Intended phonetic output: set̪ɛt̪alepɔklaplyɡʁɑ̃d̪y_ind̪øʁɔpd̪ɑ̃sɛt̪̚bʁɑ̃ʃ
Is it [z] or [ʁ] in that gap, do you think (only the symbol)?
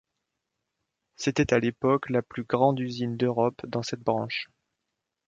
z